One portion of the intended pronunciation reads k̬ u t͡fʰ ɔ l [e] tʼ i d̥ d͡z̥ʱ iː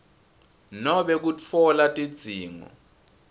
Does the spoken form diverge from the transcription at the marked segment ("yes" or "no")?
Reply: yes